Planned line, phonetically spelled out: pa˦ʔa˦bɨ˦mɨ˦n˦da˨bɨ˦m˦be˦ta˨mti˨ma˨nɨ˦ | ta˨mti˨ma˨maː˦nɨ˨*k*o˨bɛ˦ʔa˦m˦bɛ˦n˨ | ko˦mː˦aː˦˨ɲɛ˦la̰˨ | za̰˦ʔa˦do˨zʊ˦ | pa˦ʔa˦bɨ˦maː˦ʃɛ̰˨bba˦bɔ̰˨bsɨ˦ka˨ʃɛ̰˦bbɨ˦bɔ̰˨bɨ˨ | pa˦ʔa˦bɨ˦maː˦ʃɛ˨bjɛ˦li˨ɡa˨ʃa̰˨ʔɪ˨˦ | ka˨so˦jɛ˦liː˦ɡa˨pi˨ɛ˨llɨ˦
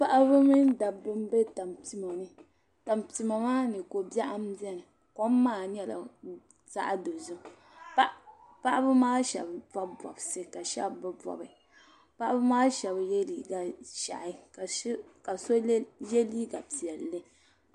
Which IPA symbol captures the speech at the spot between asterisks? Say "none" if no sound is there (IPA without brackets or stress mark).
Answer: k